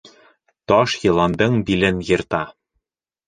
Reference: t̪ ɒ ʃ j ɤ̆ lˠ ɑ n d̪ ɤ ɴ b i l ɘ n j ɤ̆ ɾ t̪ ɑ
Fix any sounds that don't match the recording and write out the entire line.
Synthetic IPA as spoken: t̪ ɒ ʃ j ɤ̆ lˠ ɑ n d̪ ɤ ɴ b i l ɘ n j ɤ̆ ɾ t̪ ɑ